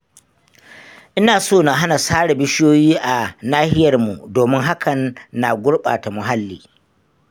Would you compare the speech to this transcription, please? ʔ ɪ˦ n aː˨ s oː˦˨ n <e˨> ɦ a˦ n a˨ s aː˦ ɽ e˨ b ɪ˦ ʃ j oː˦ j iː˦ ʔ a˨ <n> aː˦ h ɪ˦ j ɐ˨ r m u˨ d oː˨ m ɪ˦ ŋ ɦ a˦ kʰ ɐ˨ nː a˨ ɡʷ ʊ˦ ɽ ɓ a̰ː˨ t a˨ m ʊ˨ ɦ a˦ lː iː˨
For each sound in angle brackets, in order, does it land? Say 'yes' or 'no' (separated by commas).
no, yes